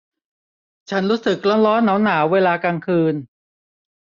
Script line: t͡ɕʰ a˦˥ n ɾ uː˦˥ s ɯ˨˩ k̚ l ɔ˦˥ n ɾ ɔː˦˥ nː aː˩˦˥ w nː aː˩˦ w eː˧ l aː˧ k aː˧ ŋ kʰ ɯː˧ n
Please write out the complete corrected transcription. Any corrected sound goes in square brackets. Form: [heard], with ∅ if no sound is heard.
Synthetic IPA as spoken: t͡ɕʰ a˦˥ n ɾ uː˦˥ s ɯ˨˩ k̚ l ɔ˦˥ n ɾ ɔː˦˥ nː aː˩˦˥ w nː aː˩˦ w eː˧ l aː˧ k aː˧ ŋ kʰ ɯː˧ n